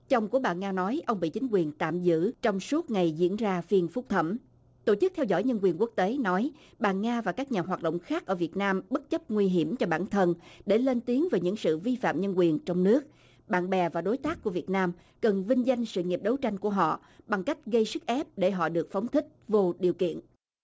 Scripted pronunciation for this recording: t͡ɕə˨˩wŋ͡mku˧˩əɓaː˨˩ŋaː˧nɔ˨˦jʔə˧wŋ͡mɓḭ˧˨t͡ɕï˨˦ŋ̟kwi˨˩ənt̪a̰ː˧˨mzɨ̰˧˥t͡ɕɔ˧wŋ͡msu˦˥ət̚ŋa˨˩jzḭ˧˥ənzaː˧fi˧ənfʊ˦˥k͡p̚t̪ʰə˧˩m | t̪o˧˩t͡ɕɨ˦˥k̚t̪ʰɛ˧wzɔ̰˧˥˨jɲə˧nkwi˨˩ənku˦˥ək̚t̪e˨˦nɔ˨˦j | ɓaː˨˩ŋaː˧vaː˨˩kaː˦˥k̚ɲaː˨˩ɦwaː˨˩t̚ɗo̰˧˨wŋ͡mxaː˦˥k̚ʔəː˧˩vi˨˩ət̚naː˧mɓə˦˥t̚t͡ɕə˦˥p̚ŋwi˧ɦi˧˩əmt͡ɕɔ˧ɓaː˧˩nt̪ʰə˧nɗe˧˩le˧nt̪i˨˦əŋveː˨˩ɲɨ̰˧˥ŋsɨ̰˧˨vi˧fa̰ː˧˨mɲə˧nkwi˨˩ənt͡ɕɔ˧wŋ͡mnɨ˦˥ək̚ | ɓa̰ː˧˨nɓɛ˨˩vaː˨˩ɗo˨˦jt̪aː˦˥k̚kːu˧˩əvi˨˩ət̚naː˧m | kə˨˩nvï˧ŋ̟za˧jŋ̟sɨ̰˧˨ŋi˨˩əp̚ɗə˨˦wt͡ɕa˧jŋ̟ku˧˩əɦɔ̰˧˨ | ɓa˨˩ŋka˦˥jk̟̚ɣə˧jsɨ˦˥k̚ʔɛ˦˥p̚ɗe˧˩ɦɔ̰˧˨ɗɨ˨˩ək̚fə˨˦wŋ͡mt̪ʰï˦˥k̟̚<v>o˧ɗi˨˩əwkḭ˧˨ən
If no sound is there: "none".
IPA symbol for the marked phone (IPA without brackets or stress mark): v